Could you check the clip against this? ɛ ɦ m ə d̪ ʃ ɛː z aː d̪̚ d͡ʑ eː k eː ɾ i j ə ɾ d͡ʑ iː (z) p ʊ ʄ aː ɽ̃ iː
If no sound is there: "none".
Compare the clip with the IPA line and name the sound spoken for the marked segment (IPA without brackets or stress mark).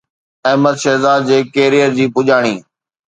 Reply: none